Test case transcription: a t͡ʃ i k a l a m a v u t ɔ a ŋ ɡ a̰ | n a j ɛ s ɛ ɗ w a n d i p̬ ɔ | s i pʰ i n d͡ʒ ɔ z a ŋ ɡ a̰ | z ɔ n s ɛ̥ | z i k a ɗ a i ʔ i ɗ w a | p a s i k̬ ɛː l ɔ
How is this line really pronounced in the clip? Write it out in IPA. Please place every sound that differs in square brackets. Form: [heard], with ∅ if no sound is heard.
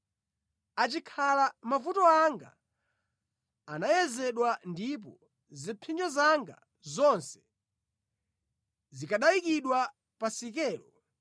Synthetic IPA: a t͡ʃ i [kʰ] a l a m a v u t ɔ a ŋ ɡ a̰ | n a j ɛ [z] ɛ ɗ w a n d i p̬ ɔ | [z] i pʰ i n d͡ʒ ɔ z a ŋ ɡ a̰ | z ɔ n s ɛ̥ | z i k a ɗ a i [k] i ɗ w a | p a s i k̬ ɛː l ɔ

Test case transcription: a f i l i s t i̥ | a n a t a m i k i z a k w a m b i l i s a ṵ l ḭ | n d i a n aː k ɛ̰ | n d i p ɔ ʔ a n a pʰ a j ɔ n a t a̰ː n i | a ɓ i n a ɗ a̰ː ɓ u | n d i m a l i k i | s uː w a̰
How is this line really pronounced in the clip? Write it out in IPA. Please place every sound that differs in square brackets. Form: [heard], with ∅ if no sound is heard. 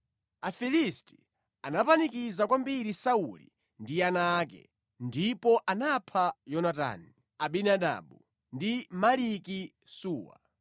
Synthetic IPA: a f i l i s t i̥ | a n a [p] a [n] i k i z a k w a m b i [ɾ] i s a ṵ l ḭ | n d i a n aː k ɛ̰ | n d i p ɔ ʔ a n a pʰ a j ɔ n a t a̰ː n i | a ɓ i n a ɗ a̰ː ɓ u | n d i m a l i k i | s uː w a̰

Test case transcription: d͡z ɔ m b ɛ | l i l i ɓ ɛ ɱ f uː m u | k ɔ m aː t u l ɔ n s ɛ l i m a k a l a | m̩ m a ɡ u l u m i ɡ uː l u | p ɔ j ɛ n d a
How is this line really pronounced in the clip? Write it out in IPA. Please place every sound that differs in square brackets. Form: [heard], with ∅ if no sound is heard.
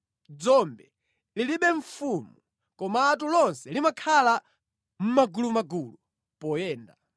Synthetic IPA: d͡z ɔ m b ɛ | l i l i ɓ ɛ ɱ f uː m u | k ɔ m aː t u l ɔ n s ɛ l i m a [kʰ] a l a | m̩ m a ɡ u l u m [a] ɡ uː l u | p ɔ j [ɛː] n d a

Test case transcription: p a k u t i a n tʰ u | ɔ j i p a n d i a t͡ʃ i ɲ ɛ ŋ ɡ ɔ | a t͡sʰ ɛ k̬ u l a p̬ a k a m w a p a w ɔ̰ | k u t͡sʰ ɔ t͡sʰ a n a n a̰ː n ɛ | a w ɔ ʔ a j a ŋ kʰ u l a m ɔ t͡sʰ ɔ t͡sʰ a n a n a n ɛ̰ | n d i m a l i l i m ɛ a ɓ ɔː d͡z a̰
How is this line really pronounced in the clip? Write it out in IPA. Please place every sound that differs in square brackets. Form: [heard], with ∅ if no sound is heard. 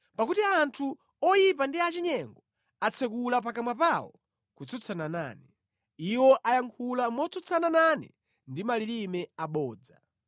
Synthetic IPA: p a k u t i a n tʰ u | ɔ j i p a n d i a t͡ʃ i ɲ ɛ ŋ ɡ ɔ | a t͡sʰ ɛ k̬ u l a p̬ a k a m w a p a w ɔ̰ | k u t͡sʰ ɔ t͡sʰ a n a n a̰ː n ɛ | [i] w ɔ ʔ a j a ŋ kʰ u l a m ɔ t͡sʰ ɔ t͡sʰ a n a n a n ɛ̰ | n d i m a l i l i m ɛ a ɓ ɔː d͡z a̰

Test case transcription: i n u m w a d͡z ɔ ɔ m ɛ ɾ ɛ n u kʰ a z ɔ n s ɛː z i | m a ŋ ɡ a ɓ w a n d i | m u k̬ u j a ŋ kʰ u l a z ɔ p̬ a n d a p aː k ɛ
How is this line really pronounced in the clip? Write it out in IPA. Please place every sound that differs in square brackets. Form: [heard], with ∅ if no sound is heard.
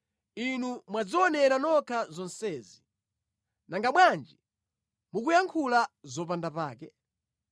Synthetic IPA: i n u m w a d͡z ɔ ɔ [n] ɛ ɾ [a] n [ɔ] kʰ a z ɔ n s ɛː z i | [n] a ŋ ɡ a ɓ w a n [d͡ʒ] i | m u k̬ u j a ŋ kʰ u l a z ɔ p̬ a n d a p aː k ɛ

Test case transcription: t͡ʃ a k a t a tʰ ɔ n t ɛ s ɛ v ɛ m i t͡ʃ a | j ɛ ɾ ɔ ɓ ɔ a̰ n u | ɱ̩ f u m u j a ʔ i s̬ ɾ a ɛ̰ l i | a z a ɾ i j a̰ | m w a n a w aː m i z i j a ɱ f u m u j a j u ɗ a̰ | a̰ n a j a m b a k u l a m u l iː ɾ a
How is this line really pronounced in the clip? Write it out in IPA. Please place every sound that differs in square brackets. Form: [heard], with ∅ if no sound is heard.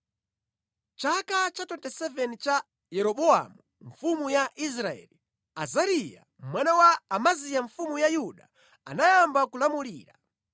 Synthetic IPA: t͡ʃ a k a [t͡ʃ] a [t] ɔ n t ɛ s ɛ v ɛ [n] i t͡ʃ a | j ɛ ɾ ɔ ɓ ɔ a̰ [m] u | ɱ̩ f u m u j a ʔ i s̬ ɾ a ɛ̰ l i | a z a ɾ i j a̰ | m w a n a w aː m [a] z i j a ɱ f u m u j a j u ɗ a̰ | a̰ n a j a m b a k u l a m u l iː ɾ a

